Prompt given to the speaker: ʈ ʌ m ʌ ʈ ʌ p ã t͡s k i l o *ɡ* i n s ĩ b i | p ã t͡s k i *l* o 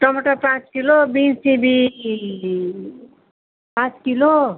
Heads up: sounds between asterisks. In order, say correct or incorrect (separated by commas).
incorrect, correct